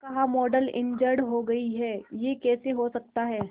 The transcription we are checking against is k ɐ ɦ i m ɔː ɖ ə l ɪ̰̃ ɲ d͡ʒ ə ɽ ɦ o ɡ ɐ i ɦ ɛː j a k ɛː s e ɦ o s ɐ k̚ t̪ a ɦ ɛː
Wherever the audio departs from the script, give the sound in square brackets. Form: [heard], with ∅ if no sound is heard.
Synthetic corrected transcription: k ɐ ɦ [a] m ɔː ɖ ə l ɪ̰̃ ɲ d͡ʒ ə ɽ ɦ o ɡ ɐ i ɦ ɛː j [e] k ɛː s e ɦ o s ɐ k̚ t̪ a ɦ ɛː